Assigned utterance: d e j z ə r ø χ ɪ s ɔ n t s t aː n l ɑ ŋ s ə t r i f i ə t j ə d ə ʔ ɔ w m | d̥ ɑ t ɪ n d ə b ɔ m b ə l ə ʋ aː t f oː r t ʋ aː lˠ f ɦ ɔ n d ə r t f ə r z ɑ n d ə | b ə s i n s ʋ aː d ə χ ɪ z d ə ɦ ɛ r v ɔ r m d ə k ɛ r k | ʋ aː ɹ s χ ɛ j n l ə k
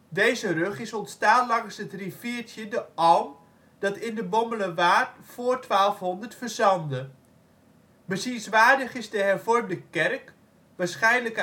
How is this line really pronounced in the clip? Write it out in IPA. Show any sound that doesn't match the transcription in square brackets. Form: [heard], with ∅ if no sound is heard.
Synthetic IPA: d e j z ə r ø χ ɪ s ɔ n t s t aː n l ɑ ŋ s ə t r i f i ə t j ə d ə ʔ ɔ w m | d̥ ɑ t ɪ n d ə b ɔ m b ə l ə ʋ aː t f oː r t ʋ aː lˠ f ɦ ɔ n d ə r t f ə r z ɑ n d ə | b ə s i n s ʋ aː d ə χ ɪ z d ə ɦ ɛ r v ɔ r m d ə k ɛ r k | ʋ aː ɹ s χ ɛ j n l ə k